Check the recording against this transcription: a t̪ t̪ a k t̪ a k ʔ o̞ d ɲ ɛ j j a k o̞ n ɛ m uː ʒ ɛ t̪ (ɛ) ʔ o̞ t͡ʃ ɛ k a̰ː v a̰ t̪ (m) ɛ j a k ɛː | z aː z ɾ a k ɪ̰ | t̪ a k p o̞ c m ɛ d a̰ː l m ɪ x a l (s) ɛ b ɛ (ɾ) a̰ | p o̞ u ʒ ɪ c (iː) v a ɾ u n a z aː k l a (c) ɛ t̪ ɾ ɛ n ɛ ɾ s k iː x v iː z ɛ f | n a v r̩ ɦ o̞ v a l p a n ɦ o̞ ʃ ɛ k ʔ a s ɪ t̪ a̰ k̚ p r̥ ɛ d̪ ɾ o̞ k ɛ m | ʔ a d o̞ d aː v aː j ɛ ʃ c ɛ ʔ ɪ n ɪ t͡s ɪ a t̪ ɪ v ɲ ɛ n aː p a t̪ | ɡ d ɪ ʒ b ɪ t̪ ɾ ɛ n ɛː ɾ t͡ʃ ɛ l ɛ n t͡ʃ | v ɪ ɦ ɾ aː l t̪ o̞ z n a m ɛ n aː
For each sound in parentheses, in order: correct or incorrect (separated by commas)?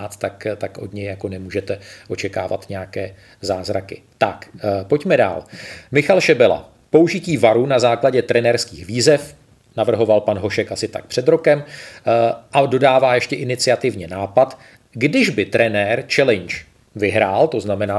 correct, incorrect, incorrect, incorrect, correct, incorrect